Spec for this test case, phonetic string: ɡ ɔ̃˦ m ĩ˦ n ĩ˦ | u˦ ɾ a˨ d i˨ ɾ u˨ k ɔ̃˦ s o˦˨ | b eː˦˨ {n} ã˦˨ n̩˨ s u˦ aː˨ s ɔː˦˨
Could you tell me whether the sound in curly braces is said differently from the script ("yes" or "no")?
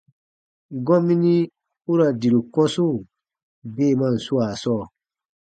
yes